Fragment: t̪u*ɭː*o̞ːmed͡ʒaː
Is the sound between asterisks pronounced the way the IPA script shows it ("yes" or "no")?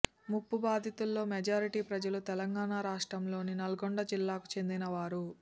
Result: no